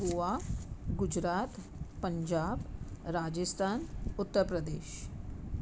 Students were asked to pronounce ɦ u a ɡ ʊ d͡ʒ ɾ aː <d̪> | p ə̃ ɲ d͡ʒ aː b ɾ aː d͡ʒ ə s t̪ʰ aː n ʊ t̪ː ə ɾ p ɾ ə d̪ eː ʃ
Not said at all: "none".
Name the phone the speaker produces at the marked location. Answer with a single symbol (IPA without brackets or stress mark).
t̪